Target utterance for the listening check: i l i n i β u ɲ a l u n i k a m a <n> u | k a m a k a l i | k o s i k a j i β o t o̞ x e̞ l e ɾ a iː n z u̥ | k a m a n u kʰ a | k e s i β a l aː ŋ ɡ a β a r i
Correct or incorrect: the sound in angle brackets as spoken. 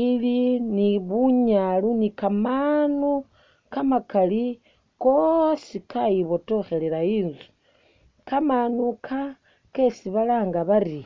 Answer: correct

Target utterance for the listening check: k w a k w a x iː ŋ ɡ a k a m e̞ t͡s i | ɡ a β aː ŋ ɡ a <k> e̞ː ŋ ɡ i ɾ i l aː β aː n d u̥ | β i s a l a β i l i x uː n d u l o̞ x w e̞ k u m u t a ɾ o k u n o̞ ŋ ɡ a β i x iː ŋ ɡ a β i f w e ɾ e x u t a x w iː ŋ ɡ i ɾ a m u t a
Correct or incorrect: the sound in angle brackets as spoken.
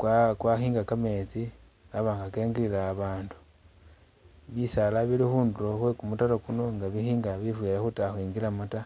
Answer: correct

